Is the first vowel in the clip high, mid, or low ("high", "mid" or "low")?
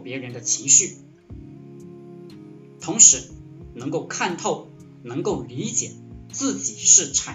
mid